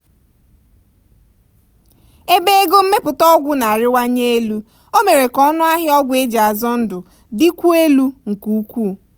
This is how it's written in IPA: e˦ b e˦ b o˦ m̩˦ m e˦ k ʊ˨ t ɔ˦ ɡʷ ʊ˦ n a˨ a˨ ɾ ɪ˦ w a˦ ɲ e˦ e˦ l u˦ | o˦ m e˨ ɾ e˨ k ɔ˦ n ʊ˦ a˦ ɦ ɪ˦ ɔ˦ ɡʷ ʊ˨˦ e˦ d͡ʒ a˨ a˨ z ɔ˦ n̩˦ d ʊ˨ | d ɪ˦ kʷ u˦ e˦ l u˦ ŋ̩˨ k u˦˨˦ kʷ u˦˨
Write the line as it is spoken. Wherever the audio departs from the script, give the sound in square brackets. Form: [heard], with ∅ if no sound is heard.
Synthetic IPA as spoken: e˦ b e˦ [ɡ] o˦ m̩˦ m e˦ [p] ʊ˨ t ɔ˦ ɡʷ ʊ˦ n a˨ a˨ ɾ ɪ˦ w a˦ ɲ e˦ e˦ l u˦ | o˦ m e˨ ɾ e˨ k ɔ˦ n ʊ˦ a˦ ɦ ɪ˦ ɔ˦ ɡʷ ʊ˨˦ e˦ d͡ʒ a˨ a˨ z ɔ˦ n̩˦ d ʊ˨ | d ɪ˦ kʷ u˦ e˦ l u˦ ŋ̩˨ k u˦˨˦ kʷ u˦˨